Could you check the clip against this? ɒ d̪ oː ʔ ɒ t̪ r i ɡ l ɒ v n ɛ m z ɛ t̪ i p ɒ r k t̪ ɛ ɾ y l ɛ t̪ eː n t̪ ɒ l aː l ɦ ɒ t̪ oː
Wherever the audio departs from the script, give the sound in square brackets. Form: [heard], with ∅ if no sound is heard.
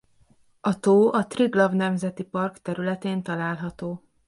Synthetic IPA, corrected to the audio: ɒ [t̪] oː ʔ ɒ t̪ r i ɡ l ɒ v n ɛ m z ɛ t̪ i p ɒ r k t̪ ɛ ɾ y l ɛ t̪ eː n t̪ ɒ l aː l ɦ ɒ t̪ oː